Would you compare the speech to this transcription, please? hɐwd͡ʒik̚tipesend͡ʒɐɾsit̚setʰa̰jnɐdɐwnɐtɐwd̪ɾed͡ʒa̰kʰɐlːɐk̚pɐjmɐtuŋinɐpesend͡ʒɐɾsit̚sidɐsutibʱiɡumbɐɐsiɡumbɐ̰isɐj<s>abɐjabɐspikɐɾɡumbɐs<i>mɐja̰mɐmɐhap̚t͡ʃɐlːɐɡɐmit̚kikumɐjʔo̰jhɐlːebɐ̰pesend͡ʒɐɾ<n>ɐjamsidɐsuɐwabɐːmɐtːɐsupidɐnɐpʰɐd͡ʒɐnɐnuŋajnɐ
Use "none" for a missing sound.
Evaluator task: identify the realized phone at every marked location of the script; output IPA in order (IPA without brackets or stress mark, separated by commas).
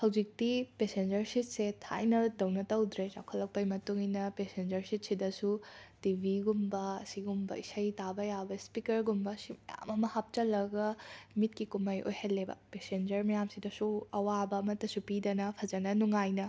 t, i, m